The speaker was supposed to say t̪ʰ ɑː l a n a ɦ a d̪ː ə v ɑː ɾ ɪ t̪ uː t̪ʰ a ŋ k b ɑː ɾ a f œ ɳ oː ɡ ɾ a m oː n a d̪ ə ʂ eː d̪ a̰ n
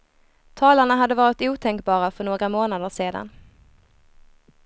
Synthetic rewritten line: t̪ʰ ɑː l a ɳ a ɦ a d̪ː ə v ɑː ɾ ɪ t̪ uː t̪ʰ ɛ ŋ k b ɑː ɾ a f œ ɳ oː ɡ ɾ a m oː n a d̪ ə ʂ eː d̪ a̰ n